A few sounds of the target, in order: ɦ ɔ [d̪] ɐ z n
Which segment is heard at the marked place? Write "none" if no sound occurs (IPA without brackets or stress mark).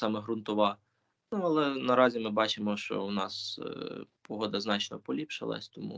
d̪